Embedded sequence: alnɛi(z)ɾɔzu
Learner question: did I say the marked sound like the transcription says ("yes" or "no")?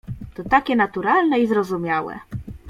yes